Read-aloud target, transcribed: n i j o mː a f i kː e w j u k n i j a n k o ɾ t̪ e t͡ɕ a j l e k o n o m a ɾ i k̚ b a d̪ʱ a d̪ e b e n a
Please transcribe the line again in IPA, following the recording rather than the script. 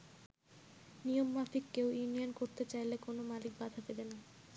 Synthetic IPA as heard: n i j o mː a f i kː e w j u n i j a n k o ɾ t̪ e t͡ɕ a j l e k o n o m a l i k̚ b a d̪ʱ a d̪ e b e n a